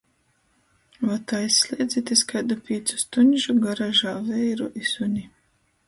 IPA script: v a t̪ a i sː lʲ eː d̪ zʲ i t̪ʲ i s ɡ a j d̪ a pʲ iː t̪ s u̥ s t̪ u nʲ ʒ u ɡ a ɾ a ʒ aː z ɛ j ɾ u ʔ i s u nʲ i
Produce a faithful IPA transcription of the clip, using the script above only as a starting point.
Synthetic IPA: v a t̪ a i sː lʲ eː d̪ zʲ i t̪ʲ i s k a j d̪ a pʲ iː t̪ s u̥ s t̪ u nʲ ʒ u ɡ a ɾ a ʒ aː v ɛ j ɾ u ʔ i s u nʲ i